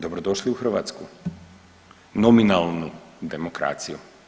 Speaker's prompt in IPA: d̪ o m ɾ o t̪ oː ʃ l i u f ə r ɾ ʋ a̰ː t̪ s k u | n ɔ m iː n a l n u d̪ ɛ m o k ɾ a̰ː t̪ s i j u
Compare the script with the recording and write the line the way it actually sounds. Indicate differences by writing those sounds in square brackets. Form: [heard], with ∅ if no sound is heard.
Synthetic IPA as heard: d̪ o [b] ɾ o [d̪] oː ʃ l i u [x] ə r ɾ ʋ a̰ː t̪ s k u | n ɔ m [i] n a l n u d̪ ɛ m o k ɾ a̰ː t̪ s i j u